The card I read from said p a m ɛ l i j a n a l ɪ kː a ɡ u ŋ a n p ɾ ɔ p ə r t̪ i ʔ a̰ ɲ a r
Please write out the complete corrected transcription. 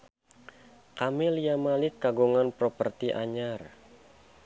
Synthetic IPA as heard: k a m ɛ l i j a m a l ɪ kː a ɡ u ŋ a n p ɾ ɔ p ə r t̪ i ʔ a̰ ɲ a r